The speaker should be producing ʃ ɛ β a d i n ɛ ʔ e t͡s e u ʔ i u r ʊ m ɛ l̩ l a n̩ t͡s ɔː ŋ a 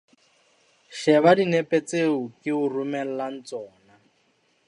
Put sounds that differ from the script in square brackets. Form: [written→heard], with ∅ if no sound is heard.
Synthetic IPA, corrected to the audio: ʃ ɛ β a d i n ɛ [ʔ→p] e t͡s e u [ʔ→k] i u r [ʊ→u] m ɛ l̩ l a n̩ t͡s ɔː [ŋ→n] a